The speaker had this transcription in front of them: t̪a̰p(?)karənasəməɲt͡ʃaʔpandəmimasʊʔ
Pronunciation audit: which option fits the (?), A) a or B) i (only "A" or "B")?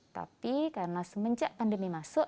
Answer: B